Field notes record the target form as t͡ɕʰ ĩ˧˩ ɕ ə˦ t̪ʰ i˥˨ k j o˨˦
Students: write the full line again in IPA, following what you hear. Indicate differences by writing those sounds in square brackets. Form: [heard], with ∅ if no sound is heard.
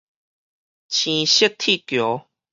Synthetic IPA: t͡ɕʰ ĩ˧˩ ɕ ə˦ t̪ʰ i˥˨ k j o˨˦